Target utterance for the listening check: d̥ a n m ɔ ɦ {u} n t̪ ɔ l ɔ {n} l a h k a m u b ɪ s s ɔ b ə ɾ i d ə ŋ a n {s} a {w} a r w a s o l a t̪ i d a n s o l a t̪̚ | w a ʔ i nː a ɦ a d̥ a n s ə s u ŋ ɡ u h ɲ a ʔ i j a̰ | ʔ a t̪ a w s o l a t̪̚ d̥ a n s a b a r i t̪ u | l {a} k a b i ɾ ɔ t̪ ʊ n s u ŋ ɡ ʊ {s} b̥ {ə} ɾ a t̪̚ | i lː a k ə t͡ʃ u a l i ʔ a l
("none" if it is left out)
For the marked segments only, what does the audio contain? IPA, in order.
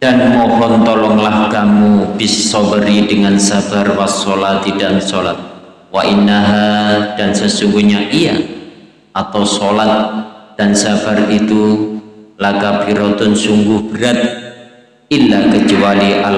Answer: ɔ, ŋ, s, b, a, h, ə

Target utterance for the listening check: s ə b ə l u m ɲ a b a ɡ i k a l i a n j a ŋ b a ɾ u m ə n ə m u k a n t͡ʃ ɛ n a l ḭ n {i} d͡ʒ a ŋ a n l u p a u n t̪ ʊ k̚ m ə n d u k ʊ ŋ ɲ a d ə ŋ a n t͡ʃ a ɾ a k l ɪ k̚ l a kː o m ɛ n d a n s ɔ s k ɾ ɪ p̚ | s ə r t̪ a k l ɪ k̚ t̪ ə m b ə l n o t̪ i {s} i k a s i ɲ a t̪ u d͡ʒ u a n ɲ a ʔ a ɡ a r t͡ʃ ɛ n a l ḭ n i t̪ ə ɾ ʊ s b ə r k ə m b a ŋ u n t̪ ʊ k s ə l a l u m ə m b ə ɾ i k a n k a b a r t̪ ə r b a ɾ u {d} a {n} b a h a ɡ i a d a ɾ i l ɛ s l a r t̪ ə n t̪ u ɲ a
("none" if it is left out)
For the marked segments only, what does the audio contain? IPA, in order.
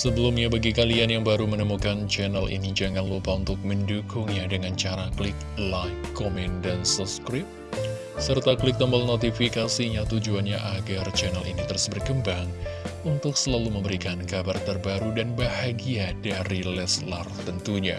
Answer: i, f, d, n

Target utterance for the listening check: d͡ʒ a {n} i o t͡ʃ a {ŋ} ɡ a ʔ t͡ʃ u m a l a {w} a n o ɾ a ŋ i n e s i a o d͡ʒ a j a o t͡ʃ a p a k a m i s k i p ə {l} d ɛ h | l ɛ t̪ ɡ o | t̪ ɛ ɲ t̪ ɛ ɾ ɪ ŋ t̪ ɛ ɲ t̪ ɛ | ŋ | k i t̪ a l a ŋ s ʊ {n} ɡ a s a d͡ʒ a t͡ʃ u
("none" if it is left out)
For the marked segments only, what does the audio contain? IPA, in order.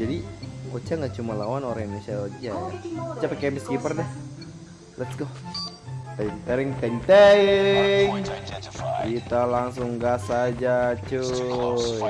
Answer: d, ŋ, w, r, ŋ

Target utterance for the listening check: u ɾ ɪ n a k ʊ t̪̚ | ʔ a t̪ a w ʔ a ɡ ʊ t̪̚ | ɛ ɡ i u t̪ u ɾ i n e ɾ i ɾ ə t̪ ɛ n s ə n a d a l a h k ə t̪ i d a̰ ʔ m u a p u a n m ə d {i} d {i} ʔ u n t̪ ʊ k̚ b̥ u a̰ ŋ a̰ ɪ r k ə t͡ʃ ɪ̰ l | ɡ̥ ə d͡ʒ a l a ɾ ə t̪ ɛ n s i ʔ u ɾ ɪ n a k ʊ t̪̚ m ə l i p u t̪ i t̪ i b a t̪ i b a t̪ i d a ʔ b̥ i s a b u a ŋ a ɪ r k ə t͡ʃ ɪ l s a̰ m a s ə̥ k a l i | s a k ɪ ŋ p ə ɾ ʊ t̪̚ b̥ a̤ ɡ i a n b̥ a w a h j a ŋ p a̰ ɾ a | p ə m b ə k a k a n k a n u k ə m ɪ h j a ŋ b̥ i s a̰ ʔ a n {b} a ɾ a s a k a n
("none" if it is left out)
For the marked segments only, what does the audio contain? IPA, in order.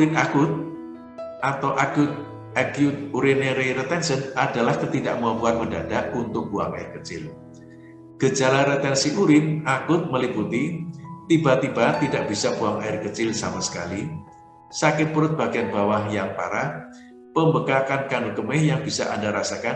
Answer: a, a, d

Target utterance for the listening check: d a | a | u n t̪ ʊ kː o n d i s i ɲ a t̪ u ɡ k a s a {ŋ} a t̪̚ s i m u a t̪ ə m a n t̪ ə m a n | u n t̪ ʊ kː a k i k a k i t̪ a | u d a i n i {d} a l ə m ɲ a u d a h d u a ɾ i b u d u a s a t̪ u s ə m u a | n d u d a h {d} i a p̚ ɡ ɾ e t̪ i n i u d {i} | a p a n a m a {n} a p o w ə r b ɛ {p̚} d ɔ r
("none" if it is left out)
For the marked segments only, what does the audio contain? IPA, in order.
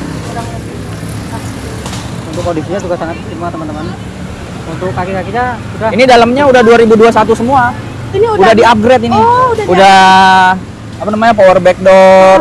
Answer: ŋ, d, d, a, ɲ, k̚

